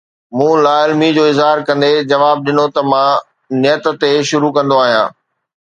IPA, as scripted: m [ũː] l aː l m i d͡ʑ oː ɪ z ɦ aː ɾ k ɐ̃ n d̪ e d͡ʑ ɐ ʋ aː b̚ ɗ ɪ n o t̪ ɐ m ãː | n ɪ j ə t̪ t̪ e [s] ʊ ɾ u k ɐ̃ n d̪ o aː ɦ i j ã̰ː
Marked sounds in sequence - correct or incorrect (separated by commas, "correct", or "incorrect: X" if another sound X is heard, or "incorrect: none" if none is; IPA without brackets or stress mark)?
correct, incorrect: ʃ